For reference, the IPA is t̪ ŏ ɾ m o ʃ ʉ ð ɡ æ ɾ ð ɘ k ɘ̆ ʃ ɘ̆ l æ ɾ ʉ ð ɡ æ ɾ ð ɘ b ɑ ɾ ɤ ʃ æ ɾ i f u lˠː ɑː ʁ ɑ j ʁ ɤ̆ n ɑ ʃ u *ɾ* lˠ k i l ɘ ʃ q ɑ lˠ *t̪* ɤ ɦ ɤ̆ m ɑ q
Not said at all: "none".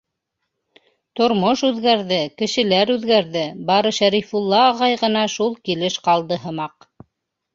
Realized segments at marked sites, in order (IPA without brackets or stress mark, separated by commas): none, d̪